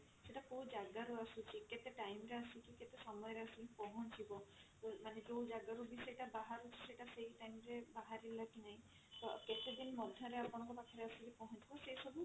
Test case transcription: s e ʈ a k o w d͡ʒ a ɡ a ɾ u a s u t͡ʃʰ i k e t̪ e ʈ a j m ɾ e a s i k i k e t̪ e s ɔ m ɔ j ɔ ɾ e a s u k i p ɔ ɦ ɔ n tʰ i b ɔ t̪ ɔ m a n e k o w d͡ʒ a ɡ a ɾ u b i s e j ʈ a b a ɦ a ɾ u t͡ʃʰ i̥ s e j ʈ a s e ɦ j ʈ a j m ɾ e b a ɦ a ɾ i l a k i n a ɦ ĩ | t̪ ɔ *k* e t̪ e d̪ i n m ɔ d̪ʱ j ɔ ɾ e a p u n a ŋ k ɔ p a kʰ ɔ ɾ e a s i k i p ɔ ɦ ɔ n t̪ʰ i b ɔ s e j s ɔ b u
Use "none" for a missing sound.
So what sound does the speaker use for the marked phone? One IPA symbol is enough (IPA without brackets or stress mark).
k